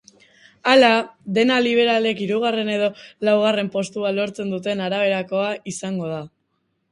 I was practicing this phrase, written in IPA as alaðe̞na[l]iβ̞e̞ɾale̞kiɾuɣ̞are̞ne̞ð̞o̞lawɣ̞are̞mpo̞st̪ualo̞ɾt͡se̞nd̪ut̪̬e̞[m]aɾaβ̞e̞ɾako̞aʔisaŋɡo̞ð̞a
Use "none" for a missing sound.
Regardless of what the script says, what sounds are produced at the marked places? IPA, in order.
l, n

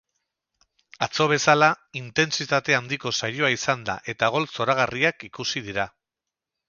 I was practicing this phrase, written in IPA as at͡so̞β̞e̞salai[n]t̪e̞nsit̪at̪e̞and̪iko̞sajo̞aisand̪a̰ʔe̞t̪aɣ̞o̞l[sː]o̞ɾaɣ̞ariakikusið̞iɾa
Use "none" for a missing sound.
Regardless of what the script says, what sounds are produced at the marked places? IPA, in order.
n, s

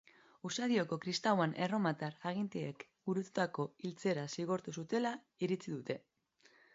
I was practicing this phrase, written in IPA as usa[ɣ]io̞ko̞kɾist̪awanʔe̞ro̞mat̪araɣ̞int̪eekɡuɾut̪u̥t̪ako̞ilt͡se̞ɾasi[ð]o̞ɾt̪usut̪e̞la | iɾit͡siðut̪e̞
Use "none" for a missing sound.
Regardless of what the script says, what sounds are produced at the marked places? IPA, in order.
ð, ɣ

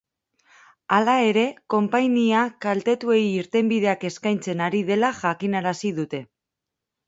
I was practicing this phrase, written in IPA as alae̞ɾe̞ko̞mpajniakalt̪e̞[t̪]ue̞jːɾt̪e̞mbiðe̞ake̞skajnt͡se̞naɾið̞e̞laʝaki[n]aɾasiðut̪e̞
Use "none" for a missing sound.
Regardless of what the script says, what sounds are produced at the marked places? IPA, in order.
t̪, n

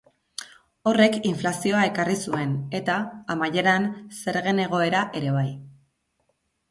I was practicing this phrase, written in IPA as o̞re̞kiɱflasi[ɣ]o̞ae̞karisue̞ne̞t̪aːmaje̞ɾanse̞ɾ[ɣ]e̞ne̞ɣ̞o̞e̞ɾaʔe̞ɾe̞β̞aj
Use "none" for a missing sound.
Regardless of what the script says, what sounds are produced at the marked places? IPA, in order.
none, ɣ

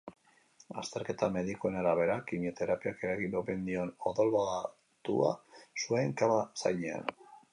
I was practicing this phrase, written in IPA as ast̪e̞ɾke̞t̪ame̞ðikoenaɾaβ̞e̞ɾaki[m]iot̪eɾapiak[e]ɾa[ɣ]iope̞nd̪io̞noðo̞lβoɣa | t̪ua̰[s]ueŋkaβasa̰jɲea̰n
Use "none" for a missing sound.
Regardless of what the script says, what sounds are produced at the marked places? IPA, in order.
m, e, ɣ, s

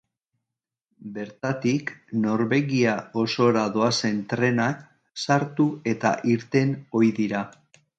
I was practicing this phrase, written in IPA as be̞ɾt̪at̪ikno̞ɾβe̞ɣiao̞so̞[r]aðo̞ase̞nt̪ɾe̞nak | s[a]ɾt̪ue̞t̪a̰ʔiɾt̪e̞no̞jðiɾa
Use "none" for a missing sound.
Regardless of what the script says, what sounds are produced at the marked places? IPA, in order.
ɾ, a

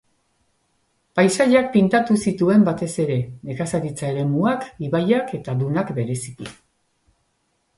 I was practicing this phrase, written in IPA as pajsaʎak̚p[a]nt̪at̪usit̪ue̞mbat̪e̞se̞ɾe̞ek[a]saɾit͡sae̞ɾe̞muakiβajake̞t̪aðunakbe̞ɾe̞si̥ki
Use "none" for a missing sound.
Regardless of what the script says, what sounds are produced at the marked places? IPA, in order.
i, a

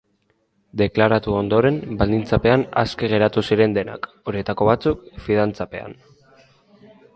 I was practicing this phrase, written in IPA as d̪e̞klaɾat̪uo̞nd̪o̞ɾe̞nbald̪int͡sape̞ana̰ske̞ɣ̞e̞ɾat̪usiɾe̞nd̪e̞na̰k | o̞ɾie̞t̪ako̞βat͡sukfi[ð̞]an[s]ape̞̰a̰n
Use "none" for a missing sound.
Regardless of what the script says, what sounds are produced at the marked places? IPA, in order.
ð̞, t͡s

